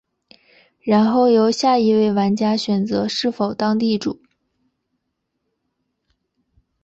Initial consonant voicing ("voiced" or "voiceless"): voiced